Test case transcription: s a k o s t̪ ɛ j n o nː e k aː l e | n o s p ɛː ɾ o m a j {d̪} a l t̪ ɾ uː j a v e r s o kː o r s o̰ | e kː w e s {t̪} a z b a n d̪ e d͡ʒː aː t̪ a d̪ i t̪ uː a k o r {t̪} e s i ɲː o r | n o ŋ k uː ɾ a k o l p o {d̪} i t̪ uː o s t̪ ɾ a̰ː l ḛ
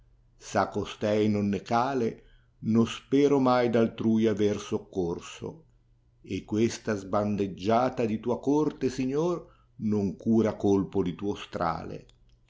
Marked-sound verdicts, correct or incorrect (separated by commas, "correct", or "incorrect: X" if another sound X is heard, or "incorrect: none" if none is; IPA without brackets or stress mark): correct, correct, correct, correct